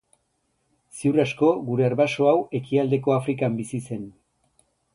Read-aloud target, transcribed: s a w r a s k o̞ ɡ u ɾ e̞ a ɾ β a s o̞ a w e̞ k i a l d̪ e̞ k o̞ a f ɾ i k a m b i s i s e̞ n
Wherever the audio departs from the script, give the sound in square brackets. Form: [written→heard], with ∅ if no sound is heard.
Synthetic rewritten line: s [a→i] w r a s k o̞ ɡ u ɾ e̞ a ɾ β a s o̞ a w e̞ k i a l d̪ e̞ k o̞ a f ɾ i k a m b i s i s e̞ n